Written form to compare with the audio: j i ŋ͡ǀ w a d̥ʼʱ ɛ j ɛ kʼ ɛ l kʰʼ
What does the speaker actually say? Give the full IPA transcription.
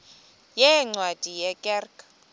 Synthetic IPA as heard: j ɛ ŋ͡ǀ w a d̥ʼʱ i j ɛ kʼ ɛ r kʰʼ